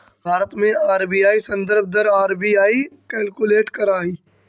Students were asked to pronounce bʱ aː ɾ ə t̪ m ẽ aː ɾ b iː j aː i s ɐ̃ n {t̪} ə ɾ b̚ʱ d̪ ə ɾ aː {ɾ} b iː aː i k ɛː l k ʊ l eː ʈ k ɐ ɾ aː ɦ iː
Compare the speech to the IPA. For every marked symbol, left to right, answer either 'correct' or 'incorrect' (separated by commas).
incorrect, correct